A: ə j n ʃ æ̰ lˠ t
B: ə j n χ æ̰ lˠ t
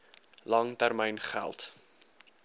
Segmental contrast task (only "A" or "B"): B